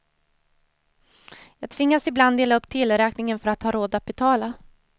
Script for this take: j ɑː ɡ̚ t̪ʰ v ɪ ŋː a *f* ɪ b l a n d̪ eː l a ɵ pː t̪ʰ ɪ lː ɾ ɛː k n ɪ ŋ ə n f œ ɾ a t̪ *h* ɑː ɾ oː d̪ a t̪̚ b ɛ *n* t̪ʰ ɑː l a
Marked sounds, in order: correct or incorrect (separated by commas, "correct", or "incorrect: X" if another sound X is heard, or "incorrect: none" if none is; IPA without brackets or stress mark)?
incorrect: s, correct, incorrect: none